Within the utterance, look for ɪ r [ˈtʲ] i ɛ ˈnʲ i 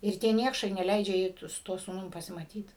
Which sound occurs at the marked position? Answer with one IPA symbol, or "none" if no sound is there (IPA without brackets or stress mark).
tʲ